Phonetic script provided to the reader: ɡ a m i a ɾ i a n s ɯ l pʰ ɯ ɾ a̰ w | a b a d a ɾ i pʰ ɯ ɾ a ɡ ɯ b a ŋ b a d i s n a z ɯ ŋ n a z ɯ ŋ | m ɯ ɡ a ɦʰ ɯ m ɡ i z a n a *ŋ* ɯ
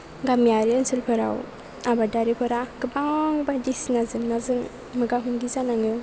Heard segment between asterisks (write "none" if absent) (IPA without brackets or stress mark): ŋ